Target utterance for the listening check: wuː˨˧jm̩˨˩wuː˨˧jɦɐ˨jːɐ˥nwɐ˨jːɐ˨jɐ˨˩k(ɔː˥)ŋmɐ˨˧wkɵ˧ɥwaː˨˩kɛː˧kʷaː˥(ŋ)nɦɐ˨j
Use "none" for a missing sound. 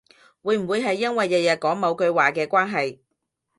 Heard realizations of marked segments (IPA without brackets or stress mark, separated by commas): ɔː˨˥, none